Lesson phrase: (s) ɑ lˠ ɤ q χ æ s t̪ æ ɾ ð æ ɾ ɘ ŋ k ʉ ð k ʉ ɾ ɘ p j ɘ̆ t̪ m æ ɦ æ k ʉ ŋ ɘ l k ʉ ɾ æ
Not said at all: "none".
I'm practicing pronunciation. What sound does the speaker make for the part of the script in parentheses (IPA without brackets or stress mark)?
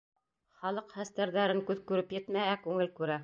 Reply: χ